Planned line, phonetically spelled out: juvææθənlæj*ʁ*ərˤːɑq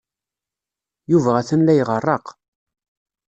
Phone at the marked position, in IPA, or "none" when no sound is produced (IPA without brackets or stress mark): ʁ